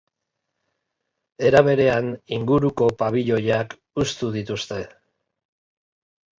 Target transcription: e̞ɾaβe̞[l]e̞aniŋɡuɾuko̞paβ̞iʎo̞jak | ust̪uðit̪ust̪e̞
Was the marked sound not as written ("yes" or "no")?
yes